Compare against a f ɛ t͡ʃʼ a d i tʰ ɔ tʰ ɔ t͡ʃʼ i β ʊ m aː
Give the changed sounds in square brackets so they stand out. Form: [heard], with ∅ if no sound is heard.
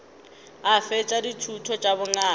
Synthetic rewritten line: a f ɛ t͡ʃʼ a d i tʰ [u] tʰ ɔ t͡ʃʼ [a] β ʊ [ŋ] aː